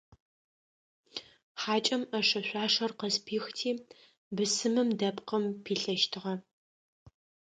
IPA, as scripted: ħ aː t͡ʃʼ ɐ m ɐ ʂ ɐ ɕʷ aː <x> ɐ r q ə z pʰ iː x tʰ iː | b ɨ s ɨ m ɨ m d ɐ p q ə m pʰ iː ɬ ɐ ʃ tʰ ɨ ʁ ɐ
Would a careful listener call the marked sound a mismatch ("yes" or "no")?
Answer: yes